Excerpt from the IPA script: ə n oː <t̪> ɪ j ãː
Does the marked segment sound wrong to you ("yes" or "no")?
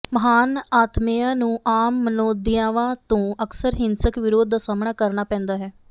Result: yes